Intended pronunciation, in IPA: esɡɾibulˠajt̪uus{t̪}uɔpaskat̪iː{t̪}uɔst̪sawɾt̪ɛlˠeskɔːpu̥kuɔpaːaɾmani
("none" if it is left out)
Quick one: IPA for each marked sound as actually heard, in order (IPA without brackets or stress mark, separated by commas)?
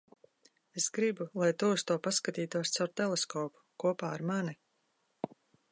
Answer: t̪, t̪